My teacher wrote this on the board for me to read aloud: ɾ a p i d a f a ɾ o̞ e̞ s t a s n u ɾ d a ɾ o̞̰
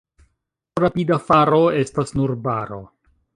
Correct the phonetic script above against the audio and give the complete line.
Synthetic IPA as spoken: ɾ a p i d a f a ɾ o̞ e̞ s t a s n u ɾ b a ɾ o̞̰